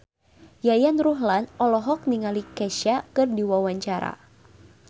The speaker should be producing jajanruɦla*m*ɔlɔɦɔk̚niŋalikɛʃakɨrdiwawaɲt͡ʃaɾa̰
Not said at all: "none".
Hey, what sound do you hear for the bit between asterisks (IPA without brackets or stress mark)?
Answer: n